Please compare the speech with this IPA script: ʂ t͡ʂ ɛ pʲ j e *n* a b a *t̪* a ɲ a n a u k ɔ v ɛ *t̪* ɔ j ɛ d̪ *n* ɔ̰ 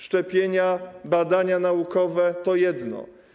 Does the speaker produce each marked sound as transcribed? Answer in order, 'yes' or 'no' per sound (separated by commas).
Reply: no, no, yes, yes